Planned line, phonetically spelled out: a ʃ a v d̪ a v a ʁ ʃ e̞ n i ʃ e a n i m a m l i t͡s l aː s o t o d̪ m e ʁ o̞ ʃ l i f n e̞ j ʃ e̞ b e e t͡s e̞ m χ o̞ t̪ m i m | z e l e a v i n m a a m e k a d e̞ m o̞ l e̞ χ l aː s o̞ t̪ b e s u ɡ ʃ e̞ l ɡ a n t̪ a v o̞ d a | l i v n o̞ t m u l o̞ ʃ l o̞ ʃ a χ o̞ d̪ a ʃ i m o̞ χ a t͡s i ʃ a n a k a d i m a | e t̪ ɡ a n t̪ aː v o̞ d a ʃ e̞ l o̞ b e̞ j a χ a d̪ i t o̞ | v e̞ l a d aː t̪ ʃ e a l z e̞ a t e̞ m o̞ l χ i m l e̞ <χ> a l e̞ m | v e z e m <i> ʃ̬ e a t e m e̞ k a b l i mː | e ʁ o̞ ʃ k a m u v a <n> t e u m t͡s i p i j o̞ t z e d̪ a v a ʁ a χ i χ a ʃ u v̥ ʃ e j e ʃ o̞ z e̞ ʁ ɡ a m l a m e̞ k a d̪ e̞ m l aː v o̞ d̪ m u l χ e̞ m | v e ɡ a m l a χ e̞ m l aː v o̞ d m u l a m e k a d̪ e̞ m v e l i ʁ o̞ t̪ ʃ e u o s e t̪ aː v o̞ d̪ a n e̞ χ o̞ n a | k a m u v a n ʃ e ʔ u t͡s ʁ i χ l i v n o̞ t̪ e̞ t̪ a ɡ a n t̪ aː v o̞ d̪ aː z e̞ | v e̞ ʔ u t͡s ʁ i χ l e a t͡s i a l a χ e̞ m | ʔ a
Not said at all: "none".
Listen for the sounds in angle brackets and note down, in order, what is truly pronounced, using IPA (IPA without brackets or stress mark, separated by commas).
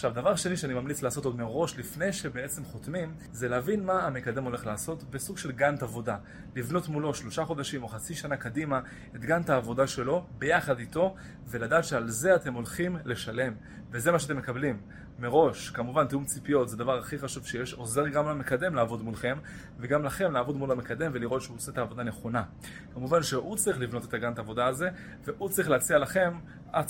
ʃ, a, n